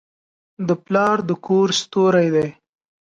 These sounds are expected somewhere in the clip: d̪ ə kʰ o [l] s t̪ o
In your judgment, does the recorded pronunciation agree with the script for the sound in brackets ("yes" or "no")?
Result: no